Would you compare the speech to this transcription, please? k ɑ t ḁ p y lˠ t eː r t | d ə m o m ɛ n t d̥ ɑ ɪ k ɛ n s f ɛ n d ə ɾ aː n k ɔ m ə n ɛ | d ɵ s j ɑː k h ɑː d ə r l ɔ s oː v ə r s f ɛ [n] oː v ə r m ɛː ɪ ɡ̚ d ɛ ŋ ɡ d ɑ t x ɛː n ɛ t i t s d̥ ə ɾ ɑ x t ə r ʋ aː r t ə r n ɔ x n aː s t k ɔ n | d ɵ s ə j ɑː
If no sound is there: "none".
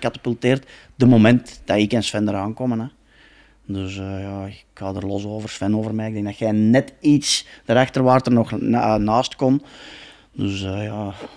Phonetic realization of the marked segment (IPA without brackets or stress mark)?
n